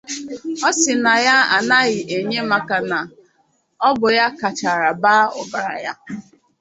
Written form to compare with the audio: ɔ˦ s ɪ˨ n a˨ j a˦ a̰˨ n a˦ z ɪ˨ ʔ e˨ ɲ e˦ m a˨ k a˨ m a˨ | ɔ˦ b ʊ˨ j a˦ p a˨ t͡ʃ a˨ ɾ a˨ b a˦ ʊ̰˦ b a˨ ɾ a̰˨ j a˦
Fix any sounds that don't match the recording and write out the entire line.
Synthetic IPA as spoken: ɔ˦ s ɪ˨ n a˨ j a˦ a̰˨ n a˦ ɣ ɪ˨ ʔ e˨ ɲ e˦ m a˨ k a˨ n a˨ | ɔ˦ b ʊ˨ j a˦ k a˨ t͡ʃ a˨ ɾ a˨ b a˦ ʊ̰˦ b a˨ ɾ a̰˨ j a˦